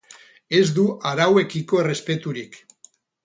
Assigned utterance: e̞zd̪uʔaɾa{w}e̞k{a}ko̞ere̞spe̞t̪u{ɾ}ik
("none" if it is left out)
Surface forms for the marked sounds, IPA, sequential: w, i, ɾ

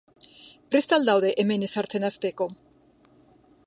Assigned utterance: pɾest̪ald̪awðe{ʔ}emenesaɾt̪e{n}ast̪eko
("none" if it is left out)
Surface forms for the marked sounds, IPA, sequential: ʔ, n

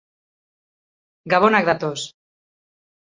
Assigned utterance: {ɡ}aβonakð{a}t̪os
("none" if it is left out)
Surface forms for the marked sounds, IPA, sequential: ɡ, a

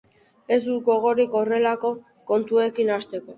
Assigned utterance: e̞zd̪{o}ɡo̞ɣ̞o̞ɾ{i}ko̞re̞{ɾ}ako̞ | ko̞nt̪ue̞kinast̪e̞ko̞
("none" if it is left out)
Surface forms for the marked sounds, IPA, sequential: u, i, l

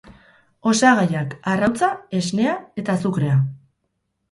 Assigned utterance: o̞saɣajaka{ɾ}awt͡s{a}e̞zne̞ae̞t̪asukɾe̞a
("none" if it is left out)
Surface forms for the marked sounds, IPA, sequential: r, a

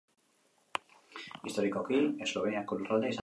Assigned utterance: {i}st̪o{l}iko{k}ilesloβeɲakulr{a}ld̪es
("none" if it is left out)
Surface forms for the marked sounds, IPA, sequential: i, ɾ, k, a

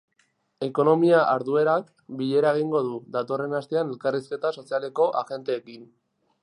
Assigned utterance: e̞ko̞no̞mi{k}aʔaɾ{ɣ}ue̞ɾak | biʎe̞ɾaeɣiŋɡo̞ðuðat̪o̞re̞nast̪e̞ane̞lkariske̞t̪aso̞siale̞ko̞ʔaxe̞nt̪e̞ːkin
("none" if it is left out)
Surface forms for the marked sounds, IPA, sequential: none, ð

